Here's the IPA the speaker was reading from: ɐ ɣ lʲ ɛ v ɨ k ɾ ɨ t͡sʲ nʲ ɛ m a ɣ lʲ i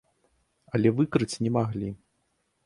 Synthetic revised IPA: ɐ lʲ ɛ v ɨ k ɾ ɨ t͡sʲ nʲ ɛ m a ɣ lʲ i